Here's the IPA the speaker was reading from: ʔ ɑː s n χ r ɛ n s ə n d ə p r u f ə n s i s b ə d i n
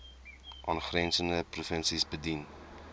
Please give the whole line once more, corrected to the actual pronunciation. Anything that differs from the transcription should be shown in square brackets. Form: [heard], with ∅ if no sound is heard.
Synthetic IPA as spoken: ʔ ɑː [∅] n χ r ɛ n s ə n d ə p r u f ə n s i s b ə d i n